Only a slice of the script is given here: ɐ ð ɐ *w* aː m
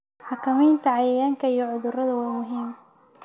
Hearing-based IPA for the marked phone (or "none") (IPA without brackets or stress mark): w